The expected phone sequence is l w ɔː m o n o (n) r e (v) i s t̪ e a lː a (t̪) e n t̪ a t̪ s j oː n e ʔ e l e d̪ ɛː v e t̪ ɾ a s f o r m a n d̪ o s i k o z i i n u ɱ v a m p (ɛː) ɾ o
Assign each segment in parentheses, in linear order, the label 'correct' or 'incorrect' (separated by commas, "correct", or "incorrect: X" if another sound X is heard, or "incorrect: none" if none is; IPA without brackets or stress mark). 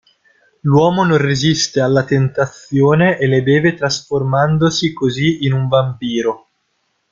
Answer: correct, incorrect: z, correct, incorrect: iː